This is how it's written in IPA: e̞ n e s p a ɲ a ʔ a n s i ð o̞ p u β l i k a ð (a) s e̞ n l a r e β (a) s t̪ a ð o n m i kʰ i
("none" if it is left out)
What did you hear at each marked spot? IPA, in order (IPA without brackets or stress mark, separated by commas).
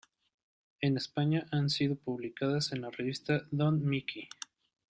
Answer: a, i